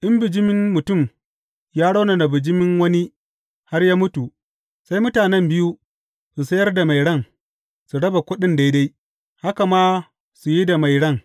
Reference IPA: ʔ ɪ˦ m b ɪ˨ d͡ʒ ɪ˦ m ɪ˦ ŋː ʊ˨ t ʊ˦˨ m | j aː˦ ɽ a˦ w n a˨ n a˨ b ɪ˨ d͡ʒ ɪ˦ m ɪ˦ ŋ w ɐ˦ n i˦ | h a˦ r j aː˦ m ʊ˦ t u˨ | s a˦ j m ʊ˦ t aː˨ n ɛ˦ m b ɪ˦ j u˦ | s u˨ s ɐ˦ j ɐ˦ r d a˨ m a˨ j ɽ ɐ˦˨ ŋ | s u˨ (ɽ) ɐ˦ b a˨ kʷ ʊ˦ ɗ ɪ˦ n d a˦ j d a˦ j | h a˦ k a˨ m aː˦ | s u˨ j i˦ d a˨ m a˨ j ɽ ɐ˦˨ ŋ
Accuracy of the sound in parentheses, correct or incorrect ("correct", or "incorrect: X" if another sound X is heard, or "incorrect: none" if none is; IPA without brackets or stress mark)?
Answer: correct